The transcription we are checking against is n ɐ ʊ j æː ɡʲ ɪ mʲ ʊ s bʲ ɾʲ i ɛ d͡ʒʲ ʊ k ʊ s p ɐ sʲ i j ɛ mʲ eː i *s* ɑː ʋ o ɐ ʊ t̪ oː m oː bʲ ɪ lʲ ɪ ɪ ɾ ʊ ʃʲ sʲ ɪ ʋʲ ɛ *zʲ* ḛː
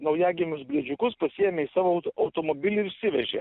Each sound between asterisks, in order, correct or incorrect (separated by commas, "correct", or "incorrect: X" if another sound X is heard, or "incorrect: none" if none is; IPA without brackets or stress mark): correct, incorrect: ʒʲ